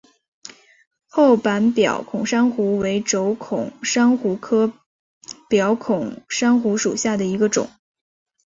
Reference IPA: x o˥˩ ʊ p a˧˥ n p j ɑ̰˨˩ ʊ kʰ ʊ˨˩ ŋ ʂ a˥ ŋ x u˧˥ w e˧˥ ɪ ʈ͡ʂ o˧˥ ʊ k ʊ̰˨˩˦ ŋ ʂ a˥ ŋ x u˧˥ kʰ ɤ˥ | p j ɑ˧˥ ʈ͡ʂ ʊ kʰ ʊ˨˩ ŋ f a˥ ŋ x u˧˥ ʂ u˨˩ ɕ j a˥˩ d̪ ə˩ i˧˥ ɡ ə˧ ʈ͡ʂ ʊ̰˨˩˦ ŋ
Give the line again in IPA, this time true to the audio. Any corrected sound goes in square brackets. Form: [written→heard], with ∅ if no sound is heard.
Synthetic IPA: x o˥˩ ʊ p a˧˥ n p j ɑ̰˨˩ ʊ kʰ ʊ˨˩ ŋ ʂ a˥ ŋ x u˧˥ w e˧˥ ɪ ʈ͡ʂ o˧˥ ʊ [k→kʰ] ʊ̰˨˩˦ ŋ ʂ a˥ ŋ x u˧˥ kʰ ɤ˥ | p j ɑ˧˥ [ʈ͡ʂ→∅] ʊ kʰ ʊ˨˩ ŋ [f→ʂ] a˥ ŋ x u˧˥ ʂ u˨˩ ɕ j a˥˩ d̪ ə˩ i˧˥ ɡ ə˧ ʈ͡ʂ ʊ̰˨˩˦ ŋ